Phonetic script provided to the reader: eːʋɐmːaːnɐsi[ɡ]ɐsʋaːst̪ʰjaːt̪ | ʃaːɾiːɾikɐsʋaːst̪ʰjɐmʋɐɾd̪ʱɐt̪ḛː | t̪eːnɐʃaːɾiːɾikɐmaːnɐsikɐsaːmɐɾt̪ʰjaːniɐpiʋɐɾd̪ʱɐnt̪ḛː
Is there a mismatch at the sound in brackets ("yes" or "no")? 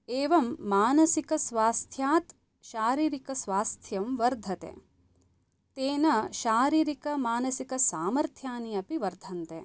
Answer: yes